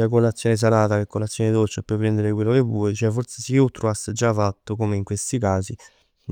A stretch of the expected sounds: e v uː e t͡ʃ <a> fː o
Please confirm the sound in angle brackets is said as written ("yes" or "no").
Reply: no